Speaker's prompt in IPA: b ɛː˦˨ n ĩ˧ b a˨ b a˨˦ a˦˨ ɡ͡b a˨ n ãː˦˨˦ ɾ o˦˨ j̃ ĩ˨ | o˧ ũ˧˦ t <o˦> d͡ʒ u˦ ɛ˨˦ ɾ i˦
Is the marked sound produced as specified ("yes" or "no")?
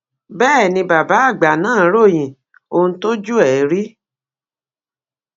yes